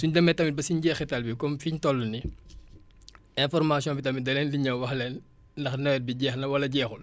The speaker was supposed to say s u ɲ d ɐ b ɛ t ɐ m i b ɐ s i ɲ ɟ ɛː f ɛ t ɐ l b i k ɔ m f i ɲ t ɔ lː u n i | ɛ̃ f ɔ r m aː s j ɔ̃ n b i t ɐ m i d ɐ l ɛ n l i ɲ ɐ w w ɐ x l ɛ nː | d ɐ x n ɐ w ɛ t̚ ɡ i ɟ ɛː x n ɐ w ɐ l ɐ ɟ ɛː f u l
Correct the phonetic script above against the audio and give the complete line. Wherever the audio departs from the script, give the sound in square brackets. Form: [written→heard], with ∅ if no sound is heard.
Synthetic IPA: s u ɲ d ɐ [b→m] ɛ t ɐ m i b ɐ s i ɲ ɟ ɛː [f→x] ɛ t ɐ l b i k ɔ m f i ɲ t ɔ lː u n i | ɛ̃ f ɔ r m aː s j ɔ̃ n b i t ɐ m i d ɐ l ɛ n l i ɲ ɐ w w ɐ x l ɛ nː | d ɐ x n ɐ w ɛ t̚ [ɡ→b] i ɟ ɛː x n ɐ w ɐ l ɐ ɟ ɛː [f→x] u l